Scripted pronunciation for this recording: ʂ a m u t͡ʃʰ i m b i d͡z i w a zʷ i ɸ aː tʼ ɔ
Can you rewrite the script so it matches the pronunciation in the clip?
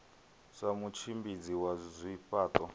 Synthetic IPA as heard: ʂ a m u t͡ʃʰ i m b i d͡z i w a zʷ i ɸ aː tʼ ɔ